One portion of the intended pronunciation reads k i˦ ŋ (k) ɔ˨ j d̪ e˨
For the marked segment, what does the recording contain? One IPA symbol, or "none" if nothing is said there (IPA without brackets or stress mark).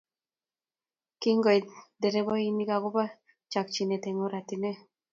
ɡ